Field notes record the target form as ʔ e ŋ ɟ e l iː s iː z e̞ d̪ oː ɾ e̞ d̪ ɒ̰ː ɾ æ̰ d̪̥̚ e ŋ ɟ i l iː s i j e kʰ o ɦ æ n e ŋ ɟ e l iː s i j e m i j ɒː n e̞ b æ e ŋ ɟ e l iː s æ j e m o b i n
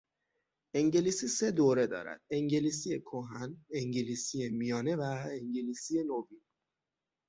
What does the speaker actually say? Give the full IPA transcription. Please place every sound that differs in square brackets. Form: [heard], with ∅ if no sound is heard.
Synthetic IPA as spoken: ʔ e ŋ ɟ e l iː s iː [s] e̞ d̪ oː ɾ e̞ d̪ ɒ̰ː ɾ æ̰ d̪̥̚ e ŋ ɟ [e] l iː s i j e kʰ o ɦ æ n e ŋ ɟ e l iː s i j e m i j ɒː n e̞ [v] æ e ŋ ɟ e l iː s [i] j e [n] o [v] i n